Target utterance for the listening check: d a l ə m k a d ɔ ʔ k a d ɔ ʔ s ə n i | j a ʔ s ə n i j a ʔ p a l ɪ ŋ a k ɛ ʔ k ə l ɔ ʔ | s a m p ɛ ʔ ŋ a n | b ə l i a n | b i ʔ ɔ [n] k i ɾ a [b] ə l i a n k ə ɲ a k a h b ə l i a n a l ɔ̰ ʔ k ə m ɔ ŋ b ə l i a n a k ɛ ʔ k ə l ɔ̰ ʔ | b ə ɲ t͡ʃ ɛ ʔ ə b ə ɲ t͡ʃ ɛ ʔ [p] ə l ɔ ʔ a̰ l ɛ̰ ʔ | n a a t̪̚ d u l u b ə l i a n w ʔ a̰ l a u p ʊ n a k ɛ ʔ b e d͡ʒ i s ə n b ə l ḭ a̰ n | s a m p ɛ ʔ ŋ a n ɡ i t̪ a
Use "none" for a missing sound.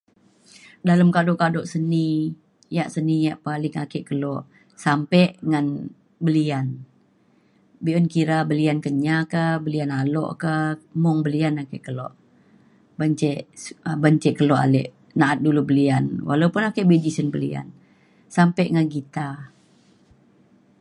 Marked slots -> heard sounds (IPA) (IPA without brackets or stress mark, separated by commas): n, b, k